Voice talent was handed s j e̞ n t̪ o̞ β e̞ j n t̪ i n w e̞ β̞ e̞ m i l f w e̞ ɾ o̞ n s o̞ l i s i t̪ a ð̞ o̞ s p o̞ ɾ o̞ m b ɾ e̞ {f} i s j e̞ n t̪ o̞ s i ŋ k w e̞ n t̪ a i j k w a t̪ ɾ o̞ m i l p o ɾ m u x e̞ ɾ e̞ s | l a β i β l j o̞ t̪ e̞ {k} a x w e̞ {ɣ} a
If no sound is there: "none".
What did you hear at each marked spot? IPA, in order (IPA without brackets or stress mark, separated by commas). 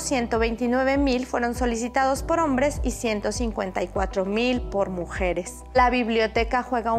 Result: s, k, ɣ